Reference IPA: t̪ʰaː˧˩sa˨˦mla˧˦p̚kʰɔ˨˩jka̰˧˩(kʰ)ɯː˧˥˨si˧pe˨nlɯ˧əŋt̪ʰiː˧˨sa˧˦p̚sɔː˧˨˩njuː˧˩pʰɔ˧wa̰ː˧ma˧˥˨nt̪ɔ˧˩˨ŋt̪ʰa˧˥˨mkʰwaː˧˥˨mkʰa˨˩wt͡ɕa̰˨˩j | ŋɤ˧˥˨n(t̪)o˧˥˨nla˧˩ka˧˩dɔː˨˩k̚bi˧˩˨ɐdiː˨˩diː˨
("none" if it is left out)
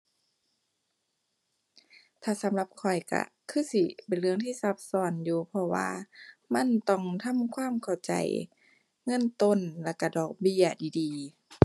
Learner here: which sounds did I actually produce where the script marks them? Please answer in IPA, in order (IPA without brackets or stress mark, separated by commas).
kʰ, t̪